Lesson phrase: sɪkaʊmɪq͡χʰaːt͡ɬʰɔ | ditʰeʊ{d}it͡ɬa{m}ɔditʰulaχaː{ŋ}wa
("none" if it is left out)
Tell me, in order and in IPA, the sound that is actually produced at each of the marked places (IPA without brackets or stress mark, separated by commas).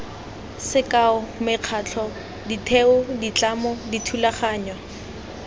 d, m, ɲ